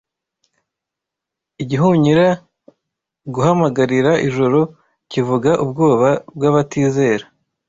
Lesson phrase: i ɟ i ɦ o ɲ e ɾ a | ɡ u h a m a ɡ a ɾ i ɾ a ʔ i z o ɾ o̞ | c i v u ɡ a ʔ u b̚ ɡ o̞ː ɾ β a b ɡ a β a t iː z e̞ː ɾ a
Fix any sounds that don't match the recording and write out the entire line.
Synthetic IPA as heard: i ɟ i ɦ u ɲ i ɾ a | ɡ u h a m a ɡ a ɾ i ɾ a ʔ i ʒ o ɾ o̞ | c i v u ɡ a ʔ u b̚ ɡ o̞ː β a b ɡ a β a t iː z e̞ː ɾ a